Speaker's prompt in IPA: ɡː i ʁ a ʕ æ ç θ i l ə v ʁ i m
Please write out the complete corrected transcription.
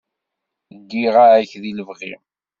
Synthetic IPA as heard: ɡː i ʁ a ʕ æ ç ð i l ə v ʁ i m